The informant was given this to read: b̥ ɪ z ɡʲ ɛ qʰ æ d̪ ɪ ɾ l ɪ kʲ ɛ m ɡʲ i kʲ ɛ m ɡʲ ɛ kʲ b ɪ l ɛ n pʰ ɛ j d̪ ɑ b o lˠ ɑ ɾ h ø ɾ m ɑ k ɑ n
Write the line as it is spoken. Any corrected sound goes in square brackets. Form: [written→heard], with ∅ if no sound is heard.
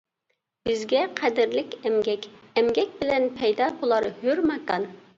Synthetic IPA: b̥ ɪ z ɡʲ ɛ qʰ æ d̪ ɪ ɾ l ɪ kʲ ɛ m ɡʲ [i→ɛ] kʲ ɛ m ɡʲ ɛ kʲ b ɪ l ɛ n pʰ ɛ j d̪ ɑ b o lˠ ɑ ɾ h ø ɾ m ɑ k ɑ n